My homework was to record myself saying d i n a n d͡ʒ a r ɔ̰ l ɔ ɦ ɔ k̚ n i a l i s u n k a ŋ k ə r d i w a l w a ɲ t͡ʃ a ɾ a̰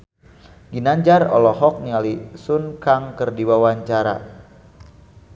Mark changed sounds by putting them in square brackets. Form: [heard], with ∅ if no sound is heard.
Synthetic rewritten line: [ɡ] i n a [ɲ] d͡ʒ a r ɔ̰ l ɔ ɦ ɔ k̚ n i a l i s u n k a ŋ k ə r d i w a [∅] w a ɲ t͡ʃ a ɾ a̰